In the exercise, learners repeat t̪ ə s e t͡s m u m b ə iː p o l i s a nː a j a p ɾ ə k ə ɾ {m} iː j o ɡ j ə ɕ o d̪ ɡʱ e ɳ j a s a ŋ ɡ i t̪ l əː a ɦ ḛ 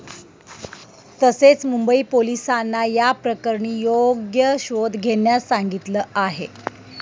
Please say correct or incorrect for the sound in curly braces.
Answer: incorrect